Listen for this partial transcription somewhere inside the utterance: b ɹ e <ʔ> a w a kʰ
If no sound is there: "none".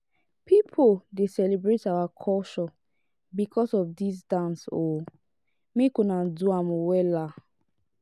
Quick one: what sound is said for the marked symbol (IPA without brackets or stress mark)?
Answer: t